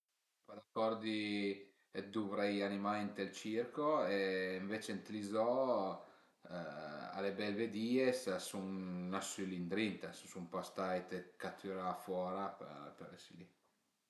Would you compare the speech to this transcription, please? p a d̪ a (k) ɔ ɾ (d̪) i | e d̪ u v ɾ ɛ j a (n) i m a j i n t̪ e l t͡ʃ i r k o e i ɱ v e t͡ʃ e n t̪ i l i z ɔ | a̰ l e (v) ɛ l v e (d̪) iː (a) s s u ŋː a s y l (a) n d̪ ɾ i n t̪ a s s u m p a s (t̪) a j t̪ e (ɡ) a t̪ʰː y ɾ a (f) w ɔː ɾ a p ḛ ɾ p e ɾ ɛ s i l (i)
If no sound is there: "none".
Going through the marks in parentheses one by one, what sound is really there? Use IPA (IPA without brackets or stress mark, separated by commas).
k, d̪, n, b, d̪, e, i, t̪, k, f, i